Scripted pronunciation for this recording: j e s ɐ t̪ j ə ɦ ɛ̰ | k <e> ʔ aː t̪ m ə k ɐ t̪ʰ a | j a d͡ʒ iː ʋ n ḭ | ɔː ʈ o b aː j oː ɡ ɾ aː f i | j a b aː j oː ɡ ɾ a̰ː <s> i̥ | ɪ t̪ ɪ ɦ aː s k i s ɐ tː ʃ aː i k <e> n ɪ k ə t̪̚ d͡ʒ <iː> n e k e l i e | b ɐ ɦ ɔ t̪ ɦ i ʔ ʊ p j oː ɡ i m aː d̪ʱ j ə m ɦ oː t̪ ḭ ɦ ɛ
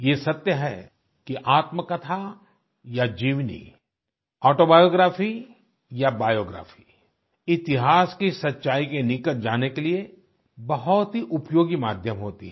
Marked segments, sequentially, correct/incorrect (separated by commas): incorrect, incorrect, correct, incorrect